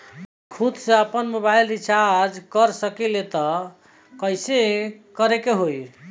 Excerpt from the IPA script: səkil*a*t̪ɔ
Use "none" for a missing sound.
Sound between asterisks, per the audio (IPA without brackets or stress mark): e